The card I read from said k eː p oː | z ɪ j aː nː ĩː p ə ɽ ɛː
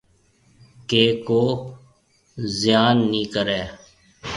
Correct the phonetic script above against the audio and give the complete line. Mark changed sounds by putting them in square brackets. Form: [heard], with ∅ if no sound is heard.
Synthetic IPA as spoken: k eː [k] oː | z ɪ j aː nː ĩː [k] ə [ɾ] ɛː